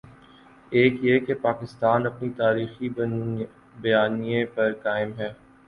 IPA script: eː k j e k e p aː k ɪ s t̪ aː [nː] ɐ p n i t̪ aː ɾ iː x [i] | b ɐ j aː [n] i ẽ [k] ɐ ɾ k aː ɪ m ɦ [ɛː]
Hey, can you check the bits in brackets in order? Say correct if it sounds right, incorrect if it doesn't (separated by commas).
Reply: incorrect, correct, correct, incorrect, correct